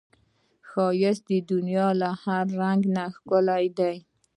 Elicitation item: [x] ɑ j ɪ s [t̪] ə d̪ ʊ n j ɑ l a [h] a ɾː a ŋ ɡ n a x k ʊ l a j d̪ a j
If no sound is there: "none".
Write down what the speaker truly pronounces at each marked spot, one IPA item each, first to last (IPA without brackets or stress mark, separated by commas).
x, d̪, h